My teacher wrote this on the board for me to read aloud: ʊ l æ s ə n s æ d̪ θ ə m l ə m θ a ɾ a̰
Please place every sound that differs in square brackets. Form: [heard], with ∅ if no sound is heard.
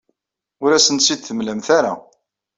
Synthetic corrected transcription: ʊ [ɾ] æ s ə n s [i] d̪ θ ə m l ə m θ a ɾ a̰